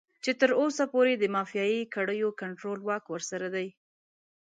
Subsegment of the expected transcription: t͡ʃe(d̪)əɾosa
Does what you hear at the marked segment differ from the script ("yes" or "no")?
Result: yes